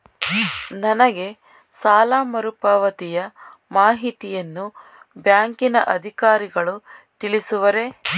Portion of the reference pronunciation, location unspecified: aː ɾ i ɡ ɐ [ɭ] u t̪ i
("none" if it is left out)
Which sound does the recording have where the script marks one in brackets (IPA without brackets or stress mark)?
ɭ